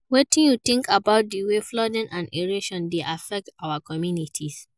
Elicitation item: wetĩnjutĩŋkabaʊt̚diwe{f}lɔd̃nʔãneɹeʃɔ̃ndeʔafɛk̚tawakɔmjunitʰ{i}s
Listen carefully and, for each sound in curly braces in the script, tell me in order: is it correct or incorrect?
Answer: correct, correct

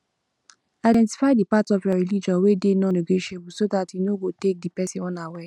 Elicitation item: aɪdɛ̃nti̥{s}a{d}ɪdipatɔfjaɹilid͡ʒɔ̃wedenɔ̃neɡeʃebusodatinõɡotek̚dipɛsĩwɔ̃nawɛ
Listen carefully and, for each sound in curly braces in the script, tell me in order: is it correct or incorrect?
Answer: incorrect: f, incorrect: none

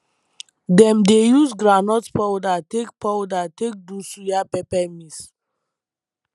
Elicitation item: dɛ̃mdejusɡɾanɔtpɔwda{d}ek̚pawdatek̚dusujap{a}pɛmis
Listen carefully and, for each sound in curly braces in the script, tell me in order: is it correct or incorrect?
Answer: incorrect: t, incorrect: ɛ

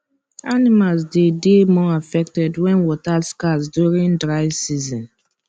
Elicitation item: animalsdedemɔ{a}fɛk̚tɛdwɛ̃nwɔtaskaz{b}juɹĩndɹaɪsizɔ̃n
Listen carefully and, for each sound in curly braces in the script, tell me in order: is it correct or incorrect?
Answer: correct, incorrect: d

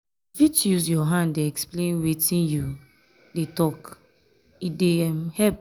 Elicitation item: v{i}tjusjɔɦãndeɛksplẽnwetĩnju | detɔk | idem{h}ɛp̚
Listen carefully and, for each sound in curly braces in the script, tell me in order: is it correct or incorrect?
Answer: correct, correct

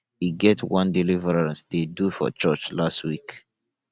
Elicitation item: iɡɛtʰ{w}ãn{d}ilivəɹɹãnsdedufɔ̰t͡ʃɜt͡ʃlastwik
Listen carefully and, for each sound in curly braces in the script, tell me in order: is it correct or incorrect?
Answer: correct, correct

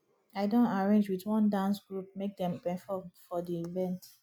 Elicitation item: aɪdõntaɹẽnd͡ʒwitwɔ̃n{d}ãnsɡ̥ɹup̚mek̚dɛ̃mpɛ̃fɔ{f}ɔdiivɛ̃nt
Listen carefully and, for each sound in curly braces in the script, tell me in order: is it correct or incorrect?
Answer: correct, correct

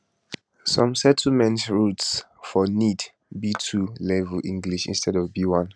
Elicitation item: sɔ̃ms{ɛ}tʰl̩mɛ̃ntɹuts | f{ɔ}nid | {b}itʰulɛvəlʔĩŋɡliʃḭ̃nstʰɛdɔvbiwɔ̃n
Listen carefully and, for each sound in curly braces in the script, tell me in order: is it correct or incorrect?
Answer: correct, correct, correct

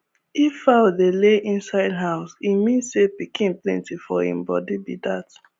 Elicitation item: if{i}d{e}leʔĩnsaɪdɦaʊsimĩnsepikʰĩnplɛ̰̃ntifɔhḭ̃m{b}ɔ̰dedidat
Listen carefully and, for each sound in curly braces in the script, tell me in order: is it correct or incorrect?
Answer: incorrect: a, correct, correct

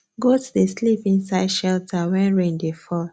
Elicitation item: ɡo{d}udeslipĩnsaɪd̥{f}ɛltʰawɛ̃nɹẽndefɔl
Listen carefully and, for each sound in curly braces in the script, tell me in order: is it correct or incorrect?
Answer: incorrect: t, incorrect: ʃ

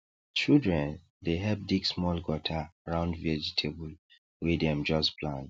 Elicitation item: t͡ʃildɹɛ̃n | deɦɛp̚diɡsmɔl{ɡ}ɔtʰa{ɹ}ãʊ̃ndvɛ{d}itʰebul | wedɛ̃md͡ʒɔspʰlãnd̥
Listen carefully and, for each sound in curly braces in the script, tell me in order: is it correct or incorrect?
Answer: correct, correct, incorrect: d͡ʒ

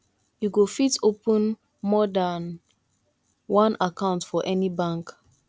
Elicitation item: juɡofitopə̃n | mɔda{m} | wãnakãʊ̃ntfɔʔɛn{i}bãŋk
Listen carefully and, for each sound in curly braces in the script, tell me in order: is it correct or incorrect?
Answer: incorrect: n, correct

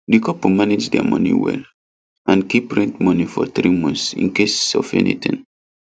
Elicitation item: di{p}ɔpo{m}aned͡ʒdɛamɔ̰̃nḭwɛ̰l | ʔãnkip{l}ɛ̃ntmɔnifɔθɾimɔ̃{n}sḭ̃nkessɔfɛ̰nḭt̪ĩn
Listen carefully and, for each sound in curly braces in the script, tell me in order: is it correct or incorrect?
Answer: incorrect: k, correct, incorrect: ɹ, correct

